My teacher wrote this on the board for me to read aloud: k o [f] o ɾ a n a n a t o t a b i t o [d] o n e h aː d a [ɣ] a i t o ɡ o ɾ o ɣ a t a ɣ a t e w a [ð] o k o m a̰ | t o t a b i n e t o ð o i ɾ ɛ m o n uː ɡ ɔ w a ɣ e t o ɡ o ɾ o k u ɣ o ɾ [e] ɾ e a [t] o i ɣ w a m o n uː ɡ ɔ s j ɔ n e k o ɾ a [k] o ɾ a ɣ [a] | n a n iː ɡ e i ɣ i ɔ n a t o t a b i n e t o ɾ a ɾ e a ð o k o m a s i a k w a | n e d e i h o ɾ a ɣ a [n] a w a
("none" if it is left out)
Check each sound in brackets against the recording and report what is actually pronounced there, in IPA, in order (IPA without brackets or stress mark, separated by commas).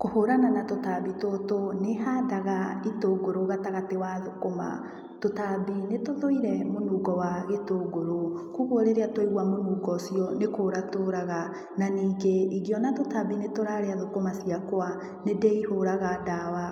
h, t, ɣ, ð, e, t, t, a, d